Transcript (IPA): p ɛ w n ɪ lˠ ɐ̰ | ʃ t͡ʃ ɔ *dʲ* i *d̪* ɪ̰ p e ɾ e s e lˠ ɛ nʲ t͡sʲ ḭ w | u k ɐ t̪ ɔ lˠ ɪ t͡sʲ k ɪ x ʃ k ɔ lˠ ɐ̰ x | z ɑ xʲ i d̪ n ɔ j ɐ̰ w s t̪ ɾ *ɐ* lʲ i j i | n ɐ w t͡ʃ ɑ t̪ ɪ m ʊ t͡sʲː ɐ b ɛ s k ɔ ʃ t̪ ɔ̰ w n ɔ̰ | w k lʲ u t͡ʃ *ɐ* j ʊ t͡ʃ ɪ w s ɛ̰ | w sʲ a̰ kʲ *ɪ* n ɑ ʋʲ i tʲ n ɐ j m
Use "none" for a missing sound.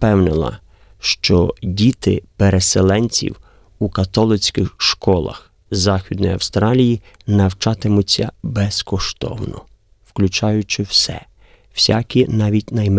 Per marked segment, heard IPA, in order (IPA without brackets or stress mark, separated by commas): dʲ, t̪, ɑ, ɑ, i